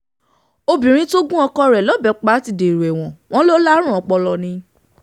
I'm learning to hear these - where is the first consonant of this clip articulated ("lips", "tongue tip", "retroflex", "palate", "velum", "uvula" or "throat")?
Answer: lips